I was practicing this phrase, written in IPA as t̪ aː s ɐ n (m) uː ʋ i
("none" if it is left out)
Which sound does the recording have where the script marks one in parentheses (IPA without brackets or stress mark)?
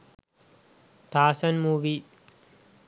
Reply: m